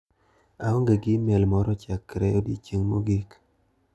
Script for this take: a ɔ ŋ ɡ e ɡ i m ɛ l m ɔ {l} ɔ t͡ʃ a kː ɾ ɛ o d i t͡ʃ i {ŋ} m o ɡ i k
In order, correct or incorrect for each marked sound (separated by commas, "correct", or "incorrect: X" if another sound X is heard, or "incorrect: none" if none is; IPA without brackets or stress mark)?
incorrect: ɾ, correct